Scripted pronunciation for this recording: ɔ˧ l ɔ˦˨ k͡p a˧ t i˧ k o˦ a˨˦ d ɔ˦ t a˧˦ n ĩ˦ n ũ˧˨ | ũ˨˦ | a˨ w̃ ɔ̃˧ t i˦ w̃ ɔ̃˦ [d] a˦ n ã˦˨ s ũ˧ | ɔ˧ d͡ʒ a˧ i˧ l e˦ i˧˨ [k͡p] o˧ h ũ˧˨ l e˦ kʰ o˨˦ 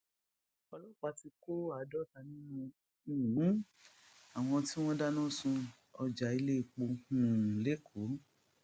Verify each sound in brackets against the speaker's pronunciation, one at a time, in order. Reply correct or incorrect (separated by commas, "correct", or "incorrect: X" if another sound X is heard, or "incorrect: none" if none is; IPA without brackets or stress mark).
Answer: correct, correct